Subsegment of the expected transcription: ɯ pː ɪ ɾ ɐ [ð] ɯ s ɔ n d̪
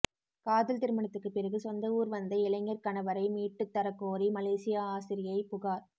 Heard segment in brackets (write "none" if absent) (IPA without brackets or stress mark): ɣ